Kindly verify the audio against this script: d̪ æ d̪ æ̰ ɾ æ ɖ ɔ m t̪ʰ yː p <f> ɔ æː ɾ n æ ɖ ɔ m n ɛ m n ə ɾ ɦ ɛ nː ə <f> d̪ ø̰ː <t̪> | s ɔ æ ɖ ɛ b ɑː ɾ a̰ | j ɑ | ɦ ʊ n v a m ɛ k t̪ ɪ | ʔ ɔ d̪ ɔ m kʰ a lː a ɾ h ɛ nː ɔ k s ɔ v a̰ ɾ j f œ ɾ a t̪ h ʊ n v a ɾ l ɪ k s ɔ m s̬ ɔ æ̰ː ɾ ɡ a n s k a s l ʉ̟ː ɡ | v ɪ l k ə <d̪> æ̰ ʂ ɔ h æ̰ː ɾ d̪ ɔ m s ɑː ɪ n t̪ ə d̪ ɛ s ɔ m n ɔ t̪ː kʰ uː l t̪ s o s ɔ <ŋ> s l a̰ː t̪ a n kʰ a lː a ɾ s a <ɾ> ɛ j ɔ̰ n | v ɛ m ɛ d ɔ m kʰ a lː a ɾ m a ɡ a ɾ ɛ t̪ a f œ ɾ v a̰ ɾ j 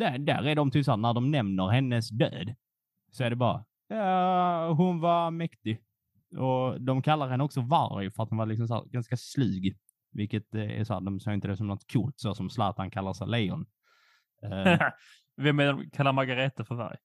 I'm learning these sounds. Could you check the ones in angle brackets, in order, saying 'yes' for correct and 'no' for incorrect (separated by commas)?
no, no, no, no, no, no